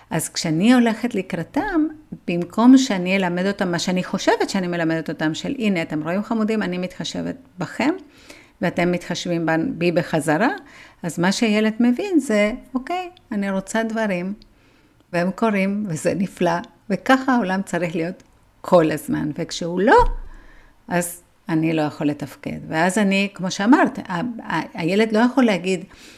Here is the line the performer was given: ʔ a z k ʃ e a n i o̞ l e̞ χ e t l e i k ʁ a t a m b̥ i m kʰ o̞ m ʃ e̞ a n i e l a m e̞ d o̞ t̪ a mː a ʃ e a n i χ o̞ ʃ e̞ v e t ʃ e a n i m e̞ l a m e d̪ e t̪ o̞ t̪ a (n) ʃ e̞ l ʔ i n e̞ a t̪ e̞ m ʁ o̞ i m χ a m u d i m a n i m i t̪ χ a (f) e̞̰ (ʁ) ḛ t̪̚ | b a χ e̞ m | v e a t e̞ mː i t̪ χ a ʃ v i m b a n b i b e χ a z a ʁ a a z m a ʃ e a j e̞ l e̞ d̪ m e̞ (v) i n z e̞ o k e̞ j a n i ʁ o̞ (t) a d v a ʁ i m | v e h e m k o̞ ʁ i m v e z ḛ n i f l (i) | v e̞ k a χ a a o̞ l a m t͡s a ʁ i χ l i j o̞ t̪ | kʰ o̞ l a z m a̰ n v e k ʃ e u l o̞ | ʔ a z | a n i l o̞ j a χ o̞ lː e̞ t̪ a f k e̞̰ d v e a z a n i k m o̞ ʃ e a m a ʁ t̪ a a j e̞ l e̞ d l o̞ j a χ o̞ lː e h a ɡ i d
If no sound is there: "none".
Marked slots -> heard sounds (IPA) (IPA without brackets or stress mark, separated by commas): m, ʃ, v, v, t͡s, a